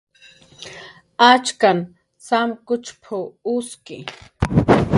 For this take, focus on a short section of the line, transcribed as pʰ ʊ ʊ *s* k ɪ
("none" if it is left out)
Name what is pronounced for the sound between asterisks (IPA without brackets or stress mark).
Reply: s